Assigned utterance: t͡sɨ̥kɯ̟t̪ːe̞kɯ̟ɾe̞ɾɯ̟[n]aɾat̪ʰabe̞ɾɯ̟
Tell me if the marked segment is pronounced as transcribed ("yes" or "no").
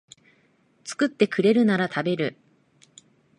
yes